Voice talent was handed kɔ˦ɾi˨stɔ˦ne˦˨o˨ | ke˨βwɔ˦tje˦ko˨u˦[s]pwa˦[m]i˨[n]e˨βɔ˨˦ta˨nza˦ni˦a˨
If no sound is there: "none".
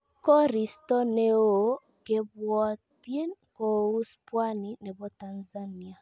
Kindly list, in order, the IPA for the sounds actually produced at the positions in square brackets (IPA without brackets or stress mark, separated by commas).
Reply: s, n, n